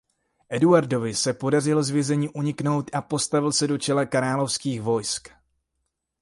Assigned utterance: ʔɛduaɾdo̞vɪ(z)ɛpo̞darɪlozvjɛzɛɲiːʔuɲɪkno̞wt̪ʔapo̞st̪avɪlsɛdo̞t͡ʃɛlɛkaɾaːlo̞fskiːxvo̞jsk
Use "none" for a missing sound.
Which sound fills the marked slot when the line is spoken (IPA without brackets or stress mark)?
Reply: s